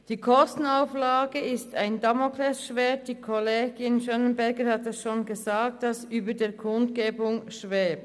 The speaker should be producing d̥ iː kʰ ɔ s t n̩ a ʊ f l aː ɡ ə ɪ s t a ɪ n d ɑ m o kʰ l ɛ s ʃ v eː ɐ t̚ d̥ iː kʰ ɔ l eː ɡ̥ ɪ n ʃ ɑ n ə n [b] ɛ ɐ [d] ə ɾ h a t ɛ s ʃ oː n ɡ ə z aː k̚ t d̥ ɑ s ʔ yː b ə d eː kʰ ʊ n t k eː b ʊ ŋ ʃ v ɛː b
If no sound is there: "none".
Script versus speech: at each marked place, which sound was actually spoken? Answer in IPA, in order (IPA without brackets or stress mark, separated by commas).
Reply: b, ɡ